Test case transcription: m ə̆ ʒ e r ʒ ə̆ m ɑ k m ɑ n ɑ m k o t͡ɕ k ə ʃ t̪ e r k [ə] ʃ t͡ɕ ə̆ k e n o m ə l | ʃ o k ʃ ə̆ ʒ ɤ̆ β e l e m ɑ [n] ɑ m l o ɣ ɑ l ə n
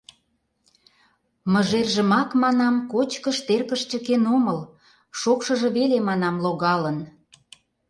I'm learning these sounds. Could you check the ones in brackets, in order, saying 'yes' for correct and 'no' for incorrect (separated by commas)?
yes, yes